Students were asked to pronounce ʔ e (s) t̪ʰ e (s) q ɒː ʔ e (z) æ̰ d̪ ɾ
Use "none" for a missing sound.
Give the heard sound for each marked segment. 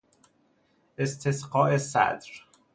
s, s, s

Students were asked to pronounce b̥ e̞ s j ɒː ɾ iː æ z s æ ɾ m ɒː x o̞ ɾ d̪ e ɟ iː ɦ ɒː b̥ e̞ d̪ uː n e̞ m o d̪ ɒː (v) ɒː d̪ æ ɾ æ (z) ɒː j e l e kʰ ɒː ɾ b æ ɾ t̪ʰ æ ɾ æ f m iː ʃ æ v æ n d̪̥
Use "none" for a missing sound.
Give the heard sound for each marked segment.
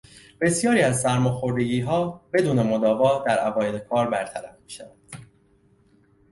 v, v

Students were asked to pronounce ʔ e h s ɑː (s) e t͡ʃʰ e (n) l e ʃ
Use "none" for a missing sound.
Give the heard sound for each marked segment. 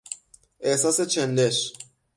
s, n

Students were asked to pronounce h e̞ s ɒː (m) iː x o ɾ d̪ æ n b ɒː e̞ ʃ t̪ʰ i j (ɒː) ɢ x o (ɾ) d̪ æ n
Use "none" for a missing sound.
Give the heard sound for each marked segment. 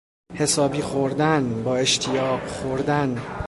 b, ɒː, ɾ

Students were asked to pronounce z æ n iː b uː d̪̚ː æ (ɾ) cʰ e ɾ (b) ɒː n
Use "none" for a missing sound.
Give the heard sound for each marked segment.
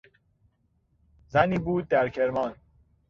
ɾ, m

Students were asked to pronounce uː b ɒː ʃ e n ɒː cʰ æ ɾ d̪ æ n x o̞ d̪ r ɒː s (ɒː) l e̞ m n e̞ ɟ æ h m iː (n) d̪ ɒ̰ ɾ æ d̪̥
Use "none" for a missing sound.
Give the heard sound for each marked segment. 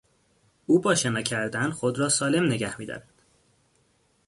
ɒː, none

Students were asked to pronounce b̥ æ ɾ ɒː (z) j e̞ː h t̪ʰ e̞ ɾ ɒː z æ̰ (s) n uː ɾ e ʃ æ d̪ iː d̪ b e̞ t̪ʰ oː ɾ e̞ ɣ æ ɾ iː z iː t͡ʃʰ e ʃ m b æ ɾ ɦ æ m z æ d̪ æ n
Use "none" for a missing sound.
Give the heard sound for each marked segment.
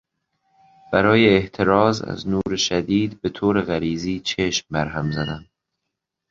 none, z

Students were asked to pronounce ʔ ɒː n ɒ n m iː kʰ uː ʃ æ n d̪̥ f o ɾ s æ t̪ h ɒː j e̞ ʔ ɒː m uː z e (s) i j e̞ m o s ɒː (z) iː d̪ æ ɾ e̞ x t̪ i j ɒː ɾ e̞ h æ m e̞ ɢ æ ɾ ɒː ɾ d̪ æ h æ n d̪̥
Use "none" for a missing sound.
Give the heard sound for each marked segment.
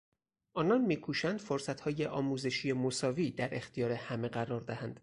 ʃ, v

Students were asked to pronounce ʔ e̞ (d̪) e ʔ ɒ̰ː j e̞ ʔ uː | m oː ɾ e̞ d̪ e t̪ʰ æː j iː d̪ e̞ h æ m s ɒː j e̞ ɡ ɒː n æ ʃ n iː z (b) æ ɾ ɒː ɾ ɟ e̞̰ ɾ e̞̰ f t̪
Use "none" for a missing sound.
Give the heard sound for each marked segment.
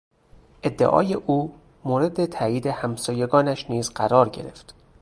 d̪ː, ɢ

